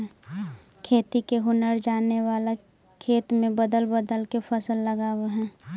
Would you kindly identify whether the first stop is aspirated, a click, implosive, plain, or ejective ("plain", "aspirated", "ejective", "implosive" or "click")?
aspirated